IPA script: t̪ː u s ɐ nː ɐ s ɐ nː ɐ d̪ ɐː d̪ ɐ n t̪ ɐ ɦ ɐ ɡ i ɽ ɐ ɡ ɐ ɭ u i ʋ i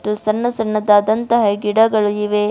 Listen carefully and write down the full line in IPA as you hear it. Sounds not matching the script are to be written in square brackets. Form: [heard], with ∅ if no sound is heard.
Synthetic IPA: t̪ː u s ɐ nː ɐ s ɐ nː ɐ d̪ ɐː d̪ ɐ n t̪ ɐ ɦ ɐ ɡ i ɽ ɐ ɡ ɐ ɭ u i ʋ [e]